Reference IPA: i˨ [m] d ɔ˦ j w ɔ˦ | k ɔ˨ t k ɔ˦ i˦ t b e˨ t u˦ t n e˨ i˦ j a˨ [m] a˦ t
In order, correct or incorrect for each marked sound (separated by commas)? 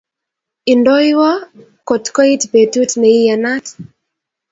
incorrect, incorrect